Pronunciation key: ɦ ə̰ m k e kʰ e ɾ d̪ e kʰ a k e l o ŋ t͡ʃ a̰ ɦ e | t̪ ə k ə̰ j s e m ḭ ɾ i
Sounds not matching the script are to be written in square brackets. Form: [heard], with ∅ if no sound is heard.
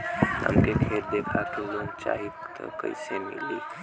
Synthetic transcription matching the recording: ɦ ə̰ m k e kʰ e ɾ d̪ e kʰ a k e l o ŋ t͡ʃ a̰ ɦ [i] | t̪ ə k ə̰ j s e m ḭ [l] i